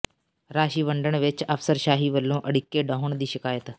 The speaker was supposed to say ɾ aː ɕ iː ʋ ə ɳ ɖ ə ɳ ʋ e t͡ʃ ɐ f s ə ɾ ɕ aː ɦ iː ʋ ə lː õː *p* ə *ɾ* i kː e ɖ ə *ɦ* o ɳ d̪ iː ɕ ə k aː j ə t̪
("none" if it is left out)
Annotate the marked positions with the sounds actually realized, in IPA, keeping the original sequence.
ʔ, ɽ, ɦ

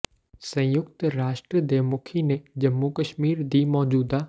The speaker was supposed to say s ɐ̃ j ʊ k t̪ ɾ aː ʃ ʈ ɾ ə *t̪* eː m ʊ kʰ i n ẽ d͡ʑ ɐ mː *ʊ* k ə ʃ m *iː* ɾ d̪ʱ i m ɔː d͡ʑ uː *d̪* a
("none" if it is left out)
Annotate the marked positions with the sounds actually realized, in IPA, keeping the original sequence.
d̪, u, iː, d̪

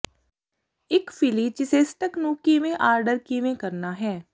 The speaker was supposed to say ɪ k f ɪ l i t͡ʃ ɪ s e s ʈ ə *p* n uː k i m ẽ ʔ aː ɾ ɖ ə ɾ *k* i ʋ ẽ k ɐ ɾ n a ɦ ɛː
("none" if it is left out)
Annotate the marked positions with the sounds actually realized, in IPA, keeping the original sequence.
k, k

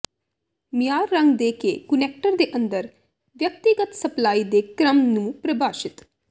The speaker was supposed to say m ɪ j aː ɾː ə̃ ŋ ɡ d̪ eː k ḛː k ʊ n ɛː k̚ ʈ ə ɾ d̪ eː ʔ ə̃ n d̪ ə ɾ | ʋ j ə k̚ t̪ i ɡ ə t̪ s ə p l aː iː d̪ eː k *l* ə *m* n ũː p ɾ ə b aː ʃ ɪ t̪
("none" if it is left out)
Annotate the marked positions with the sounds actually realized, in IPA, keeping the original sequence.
ɾ, m

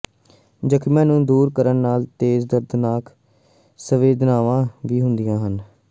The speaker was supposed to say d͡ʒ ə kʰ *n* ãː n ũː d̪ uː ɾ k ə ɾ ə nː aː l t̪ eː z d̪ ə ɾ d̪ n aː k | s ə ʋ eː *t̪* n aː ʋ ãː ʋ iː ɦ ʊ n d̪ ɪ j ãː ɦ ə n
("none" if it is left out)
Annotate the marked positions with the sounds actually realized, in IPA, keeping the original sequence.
m, d̪

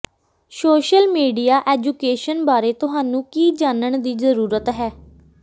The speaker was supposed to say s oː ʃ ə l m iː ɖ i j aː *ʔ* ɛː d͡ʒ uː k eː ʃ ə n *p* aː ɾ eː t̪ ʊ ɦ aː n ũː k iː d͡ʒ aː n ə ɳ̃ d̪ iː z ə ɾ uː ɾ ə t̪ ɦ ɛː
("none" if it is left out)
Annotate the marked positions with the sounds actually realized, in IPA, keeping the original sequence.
ʔ, b

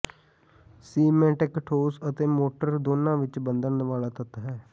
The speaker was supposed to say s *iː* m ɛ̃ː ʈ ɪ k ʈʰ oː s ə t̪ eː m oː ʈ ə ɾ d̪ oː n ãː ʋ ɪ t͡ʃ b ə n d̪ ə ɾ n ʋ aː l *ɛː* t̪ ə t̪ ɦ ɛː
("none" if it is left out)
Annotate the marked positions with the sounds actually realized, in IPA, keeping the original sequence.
iː, aː

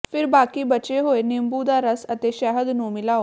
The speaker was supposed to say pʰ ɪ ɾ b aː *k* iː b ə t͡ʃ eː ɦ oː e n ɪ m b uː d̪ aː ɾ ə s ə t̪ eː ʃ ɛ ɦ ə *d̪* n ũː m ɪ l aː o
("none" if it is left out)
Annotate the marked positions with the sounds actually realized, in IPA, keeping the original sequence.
k, d̪

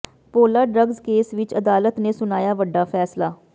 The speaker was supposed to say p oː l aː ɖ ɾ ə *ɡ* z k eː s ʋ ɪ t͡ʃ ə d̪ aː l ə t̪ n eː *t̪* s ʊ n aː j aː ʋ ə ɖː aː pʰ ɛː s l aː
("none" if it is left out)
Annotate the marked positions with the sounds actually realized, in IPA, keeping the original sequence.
ɡ, none

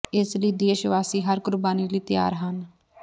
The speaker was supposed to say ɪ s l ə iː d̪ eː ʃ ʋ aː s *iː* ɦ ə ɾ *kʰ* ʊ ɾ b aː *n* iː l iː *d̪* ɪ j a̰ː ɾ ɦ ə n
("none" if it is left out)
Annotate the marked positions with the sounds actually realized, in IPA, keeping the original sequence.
iː, k, n, t̪

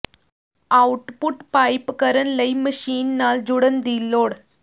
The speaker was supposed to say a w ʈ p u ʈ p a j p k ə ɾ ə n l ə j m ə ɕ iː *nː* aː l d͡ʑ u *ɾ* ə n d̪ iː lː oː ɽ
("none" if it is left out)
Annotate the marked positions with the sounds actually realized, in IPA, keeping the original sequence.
nː, ɽ

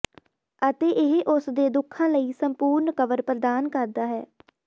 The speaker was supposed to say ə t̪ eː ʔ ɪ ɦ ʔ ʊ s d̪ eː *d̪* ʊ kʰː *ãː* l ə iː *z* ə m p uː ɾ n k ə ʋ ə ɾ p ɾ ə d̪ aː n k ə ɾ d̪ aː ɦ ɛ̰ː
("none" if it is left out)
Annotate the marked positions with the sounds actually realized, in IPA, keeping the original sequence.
d̪, ãː, s

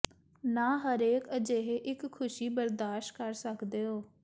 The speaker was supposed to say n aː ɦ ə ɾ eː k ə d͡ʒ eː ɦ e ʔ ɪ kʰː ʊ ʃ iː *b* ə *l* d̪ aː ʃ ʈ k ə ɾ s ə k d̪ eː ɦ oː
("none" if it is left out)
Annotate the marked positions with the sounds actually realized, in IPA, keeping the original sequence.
b, ɾ

